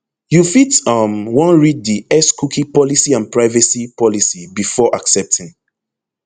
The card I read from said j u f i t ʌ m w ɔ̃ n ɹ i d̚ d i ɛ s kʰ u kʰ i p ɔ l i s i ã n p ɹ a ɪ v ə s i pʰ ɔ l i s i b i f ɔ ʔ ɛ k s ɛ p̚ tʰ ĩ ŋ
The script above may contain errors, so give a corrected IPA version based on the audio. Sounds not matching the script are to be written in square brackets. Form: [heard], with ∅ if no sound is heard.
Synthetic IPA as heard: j u f i t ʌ m w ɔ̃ n ɹ i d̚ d i ɛ s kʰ u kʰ i p ɔ l i s i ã n p ɹ a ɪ v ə s i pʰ ɔ l i s i b i f ɔ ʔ [a] k s ɛ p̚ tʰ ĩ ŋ